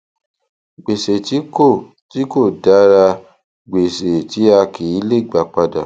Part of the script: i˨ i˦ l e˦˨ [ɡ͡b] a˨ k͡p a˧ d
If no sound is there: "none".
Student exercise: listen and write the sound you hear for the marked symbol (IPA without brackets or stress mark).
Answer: ɡ͡b